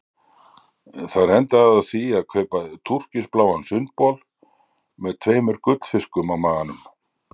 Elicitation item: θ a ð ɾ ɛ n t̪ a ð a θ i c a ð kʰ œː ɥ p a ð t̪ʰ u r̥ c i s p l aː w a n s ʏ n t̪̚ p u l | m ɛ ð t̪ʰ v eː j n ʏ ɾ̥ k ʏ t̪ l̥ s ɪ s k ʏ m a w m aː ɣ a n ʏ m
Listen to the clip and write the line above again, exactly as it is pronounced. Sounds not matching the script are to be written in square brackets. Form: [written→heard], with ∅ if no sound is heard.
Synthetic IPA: θ a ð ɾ ɛ n t̪ a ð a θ i [c→∅] a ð kʰ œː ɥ p a ð t̪ʰ u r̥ c [i→ɪ] s p l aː w a n s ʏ n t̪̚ p [u→ɔ] l | m ɛ ð t̪ʰ v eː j [n→m] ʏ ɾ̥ k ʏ t̪ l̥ [s→f] ɪ s k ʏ m a w m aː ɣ a n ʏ m